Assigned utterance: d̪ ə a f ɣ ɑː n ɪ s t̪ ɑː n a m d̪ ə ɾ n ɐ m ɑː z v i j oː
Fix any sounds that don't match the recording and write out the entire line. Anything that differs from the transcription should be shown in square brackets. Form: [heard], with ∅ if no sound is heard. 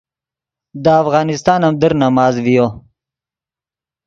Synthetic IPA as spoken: d̪ ə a f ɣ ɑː n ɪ s t̪ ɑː n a m d̪ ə ɾ n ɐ m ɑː z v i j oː